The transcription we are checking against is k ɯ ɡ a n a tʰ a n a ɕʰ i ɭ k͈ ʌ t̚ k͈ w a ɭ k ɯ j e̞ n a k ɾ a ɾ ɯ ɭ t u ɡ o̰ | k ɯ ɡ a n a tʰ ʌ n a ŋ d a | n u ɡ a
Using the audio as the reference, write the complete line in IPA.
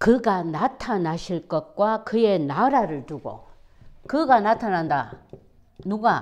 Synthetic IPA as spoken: k ɯ ɡ a n a tʰ a n a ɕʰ i ɭ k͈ ʌ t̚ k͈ w a k ɯ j e̞ n a ɾ a ɾ ɯ ɭ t u ɡ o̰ | k ɯ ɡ a n a tʰ a n a n d a | n u ɡ a